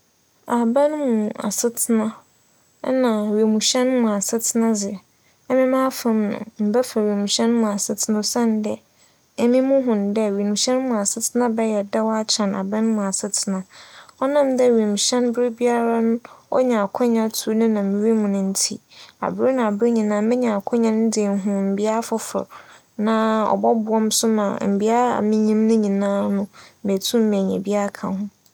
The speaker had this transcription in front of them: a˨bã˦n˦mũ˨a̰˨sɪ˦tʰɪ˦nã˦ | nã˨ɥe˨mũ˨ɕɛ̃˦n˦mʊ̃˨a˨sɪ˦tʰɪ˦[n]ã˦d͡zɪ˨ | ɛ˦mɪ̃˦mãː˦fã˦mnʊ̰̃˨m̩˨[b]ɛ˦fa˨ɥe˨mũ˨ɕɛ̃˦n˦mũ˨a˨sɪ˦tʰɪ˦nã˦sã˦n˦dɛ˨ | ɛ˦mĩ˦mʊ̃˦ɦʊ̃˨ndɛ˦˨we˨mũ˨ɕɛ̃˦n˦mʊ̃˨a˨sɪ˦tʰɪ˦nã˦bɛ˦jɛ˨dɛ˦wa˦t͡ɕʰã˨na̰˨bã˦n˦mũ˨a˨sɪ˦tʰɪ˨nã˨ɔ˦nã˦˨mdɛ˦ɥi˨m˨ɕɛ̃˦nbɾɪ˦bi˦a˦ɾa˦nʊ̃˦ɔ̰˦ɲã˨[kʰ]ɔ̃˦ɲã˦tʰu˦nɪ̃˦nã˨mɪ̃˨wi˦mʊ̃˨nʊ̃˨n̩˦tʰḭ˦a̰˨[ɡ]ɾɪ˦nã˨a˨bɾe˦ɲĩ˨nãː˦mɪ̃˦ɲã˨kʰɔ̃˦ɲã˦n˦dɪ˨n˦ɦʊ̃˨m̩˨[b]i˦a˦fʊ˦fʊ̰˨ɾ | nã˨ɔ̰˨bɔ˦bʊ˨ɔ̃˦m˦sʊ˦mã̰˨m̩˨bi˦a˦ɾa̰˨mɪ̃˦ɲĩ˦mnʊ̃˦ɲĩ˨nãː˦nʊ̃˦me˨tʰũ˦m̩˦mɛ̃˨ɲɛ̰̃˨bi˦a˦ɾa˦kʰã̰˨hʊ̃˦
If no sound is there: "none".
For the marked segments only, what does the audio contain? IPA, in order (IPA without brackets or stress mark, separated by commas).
n, b, kʰ, b, b